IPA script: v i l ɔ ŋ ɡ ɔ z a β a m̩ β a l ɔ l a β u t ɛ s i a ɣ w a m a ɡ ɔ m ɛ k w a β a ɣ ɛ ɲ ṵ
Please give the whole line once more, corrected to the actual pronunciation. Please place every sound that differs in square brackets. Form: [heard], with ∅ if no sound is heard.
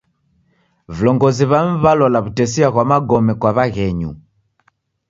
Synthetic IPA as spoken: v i l ɔ ŋ ɡ ɔ z [i] β a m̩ β a l ɔ l a β u t ɛ s i a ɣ w a m a ɡ ɔ m ɛ k w a β a ɣ ɛ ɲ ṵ